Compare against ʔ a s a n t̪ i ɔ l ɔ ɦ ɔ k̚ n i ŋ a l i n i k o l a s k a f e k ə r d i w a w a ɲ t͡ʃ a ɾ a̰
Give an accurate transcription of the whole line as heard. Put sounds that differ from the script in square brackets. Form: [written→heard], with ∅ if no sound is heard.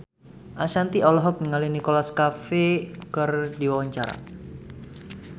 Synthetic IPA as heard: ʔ a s a n t̪ i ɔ l ɔ ɦ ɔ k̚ n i ŋ a l i n i k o l a s k a f e k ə r d i w a w a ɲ t͡ʃ a ɾ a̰